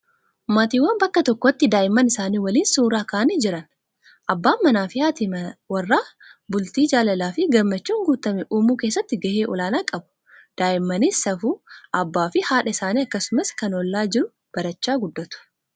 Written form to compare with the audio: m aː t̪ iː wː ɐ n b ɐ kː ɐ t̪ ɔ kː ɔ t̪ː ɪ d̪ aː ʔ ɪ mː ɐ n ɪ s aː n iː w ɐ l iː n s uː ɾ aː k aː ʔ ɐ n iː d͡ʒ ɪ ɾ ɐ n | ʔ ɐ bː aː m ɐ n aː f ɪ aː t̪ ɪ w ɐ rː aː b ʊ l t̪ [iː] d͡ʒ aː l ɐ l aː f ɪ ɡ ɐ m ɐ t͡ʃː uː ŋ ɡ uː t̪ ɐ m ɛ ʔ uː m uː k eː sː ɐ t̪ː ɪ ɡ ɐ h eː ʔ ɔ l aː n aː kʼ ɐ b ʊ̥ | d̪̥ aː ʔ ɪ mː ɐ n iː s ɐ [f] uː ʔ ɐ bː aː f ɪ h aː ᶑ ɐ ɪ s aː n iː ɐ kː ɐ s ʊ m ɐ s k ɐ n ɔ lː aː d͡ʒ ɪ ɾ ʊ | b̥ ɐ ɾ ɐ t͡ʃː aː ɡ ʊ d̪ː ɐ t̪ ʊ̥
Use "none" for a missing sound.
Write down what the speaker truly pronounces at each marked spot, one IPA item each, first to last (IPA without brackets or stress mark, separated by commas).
iː, f